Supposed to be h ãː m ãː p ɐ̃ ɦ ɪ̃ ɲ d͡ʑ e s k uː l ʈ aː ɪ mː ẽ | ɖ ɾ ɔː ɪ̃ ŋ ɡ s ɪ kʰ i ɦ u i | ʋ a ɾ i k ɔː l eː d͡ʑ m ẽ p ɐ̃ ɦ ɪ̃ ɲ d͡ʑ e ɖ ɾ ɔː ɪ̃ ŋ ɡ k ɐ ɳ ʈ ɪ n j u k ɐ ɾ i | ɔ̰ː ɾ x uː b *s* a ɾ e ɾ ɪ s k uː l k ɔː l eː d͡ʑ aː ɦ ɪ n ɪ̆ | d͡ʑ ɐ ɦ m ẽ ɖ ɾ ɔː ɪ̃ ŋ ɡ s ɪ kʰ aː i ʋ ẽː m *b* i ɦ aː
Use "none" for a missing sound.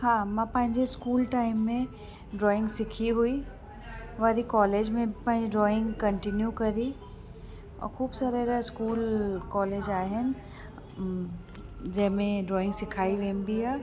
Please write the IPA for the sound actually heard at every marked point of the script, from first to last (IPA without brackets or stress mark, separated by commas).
s, b